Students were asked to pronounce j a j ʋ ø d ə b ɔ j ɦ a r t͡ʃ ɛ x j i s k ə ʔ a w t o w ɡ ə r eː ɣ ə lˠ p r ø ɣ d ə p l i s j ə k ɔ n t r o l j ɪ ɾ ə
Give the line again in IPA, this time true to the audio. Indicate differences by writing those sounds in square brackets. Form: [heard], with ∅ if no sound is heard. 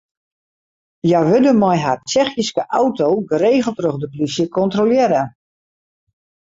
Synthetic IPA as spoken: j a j ʋ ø d ə [m] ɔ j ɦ a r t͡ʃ ɛ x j i s k ə ʔ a w t o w ɡ ə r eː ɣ ə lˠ [t] r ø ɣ d ə p l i s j ə k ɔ n t r o l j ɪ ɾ ə